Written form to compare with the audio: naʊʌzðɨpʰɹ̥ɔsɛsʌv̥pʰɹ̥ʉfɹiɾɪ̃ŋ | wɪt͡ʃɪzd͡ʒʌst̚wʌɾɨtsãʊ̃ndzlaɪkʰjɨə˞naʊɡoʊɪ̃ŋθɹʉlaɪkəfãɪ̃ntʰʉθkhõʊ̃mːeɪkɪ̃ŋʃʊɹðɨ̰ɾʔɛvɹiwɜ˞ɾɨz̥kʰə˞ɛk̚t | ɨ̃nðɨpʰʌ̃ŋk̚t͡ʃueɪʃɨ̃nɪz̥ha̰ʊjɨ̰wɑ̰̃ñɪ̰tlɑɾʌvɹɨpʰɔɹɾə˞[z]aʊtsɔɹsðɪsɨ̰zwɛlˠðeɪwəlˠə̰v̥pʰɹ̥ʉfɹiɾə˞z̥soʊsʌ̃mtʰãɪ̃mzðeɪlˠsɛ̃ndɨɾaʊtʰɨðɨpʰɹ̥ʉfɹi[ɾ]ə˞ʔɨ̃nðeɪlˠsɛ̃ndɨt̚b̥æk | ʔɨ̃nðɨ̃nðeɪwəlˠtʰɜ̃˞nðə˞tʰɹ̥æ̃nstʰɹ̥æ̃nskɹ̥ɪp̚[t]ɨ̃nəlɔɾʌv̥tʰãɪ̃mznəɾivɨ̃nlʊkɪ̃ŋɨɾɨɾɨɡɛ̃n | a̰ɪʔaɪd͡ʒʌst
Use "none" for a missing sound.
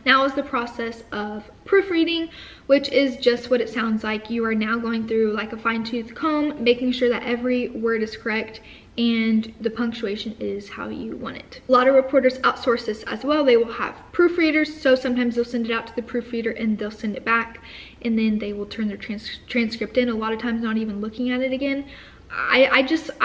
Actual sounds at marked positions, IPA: z, ɾ, t

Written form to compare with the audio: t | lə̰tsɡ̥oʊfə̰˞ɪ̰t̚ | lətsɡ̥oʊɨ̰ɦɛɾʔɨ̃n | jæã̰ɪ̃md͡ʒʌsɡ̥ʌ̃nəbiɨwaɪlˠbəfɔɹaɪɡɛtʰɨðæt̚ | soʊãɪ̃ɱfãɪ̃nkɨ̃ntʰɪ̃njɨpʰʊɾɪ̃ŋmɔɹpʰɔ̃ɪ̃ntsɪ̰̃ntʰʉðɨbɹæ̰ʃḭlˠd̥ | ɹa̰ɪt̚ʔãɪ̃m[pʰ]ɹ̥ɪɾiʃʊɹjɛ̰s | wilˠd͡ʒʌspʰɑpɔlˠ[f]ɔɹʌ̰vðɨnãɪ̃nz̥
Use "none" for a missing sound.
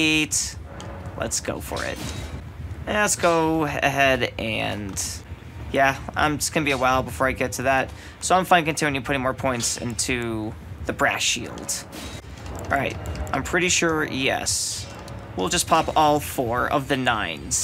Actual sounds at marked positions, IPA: pʰ, f

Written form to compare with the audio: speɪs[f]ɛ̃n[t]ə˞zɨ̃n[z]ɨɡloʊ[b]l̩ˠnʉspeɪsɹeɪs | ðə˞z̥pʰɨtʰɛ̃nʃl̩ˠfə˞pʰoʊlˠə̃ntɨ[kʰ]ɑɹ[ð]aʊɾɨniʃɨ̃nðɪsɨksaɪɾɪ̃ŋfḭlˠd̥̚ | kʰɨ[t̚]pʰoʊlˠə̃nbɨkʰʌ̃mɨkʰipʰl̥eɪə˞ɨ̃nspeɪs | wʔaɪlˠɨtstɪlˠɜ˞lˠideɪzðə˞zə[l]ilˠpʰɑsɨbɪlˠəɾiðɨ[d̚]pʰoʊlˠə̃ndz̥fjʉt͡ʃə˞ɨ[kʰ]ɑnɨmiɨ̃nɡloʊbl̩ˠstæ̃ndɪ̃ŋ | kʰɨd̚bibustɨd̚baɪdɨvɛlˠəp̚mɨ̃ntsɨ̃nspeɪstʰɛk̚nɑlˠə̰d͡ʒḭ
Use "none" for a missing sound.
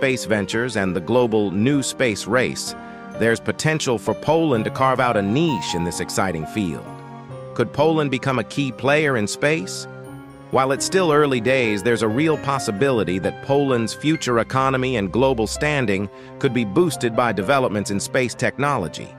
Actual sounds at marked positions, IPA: v, t͡ʃ, ð, b, kʰ, v, d̚, ɹ, t̚, kʰ

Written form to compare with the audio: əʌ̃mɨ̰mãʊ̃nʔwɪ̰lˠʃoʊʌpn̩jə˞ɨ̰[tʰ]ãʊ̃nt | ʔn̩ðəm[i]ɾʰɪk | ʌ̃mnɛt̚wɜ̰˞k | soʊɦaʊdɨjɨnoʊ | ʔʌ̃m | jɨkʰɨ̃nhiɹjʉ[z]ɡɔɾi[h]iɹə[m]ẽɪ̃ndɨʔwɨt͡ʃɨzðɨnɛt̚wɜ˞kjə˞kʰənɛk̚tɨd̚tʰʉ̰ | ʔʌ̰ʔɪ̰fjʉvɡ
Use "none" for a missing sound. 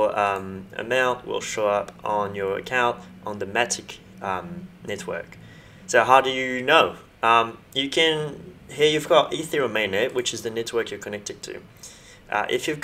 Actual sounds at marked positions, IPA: kʰ, æ, v, θ, m

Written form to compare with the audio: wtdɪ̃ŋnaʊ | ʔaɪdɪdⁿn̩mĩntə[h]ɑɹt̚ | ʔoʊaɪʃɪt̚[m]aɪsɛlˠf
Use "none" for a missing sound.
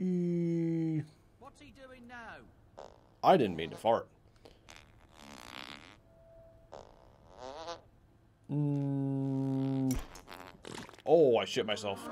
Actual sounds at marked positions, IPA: f, m

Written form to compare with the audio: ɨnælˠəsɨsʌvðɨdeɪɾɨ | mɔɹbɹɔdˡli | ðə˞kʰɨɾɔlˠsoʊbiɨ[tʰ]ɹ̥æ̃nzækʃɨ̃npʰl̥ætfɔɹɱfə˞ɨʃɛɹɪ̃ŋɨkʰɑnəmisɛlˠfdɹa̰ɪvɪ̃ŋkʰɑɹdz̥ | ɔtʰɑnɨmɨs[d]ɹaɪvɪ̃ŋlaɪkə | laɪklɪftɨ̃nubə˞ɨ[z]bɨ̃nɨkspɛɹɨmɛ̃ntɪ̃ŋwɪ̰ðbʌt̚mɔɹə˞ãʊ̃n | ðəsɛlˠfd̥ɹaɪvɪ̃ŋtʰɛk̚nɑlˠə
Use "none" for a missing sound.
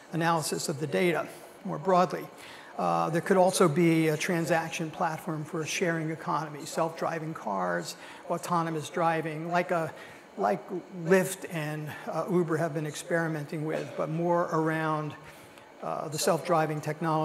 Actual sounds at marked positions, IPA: tʰ, d, v

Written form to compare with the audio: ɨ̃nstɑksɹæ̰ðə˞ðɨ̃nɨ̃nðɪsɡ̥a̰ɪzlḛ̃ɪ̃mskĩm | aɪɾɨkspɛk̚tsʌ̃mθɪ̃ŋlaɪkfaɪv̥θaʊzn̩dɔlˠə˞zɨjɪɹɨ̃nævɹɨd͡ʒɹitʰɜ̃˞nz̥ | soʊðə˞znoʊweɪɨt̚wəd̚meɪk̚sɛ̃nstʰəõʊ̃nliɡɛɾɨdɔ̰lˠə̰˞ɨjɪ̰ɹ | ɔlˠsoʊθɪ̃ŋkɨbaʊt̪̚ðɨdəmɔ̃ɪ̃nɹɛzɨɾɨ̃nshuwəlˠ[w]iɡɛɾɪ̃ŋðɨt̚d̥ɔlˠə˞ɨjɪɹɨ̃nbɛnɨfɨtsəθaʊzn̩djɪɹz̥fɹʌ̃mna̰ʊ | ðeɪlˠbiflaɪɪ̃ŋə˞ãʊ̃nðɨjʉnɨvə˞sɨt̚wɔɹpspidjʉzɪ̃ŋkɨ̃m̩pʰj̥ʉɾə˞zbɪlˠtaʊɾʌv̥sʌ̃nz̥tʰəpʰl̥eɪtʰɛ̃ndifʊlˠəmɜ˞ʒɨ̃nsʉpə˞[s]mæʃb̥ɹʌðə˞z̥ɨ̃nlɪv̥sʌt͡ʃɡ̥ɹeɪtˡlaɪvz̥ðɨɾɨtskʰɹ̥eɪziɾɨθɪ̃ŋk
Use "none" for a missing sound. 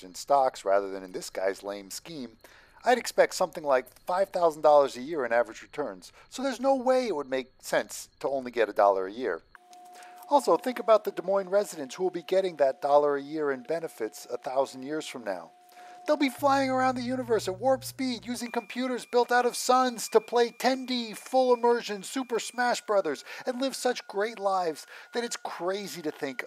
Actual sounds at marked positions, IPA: b, s

